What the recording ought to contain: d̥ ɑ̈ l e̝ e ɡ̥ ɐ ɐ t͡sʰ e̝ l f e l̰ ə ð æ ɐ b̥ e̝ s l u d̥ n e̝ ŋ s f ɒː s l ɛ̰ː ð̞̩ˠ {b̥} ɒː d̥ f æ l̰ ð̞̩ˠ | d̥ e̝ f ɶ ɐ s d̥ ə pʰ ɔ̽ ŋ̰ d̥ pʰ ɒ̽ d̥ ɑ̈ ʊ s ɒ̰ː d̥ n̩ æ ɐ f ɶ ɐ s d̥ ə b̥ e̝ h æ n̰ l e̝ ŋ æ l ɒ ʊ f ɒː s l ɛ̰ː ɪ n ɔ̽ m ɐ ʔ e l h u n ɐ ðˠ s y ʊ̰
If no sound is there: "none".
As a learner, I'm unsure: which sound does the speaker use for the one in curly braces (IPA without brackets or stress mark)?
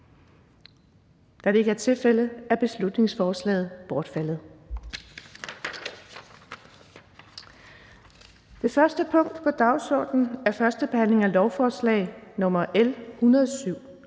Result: b̥